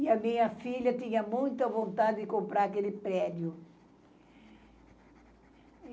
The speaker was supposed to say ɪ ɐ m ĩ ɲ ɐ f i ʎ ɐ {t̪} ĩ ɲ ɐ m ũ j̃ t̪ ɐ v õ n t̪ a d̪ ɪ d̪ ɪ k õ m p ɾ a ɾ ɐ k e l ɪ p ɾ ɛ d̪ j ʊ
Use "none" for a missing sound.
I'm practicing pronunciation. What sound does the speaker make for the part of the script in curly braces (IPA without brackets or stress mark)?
t̪